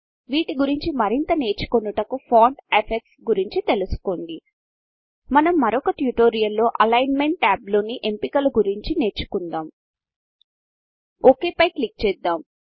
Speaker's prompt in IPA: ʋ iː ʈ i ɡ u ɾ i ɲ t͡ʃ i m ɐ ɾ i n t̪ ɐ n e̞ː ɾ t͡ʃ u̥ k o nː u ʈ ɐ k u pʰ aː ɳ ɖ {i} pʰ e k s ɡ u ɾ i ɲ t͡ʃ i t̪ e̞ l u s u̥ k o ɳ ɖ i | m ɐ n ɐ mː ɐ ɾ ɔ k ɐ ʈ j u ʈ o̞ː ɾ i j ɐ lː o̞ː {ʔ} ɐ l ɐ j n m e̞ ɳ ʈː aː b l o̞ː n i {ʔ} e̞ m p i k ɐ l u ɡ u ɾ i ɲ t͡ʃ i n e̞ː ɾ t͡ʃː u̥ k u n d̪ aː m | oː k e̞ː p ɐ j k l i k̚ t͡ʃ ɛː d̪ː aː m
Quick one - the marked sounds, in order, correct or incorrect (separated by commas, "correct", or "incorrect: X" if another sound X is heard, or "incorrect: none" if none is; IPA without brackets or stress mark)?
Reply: incorrect: e, correct, correct